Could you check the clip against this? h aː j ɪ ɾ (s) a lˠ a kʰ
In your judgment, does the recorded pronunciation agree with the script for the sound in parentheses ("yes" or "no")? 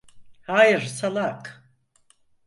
yes